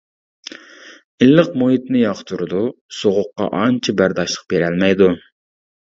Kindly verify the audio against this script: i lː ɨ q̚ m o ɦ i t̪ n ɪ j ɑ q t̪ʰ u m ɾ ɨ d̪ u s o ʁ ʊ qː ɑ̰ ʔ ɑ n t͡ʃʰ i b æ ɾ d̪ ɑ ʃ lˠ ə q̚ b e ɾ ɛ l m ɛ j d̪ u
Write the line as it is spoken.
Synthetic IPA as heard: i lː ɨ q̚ m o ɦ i t̪ n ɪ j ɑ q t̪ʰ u ɾ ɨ d̪ u s o ʁ ʊ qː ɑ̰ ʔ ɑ n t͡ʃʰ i b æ ɾ d̪ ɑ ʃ lˠ ə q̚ b e ɾ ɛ l m ɛ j d̪ u